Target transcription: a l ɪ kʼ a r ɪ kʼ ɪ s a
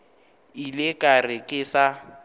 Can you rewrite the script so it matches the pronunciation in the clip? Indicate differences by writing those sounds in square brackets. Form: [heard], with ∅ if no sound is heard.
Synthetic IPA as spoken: [i] l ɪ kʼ a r ɪ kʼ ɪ s a